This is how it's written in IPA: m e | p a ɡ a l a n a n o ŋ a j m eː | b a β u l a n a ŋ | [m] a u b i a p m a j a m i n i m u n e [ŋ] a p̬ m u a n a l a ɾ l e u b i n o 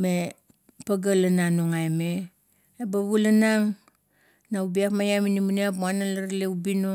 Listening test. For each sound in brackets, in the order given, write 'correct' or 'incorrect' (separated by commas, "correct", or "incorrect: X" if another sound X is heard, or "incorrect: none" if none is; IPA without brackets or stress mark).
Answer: incorrect: n, incorrect: none